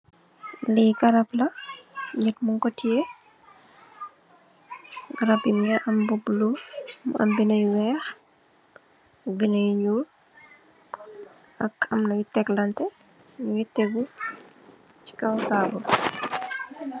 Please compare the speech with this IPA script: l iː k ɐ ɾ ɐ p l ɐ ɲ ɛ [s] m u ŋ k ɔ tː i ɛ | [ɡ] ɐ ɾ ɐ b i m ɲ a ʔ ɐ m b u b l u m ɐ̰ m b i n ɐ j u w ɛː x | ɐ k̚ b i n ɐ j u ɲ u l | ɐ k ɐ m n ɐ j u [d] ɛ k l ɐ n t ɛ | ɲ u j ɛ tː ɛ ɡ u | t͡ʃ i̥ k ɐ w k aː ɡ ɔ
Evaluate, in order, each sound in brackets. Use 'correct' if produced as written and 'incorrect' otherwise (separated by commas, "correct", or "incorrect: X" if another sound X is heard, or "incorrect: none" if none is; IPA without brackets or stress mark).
incorrect: t, correct, incorrect: t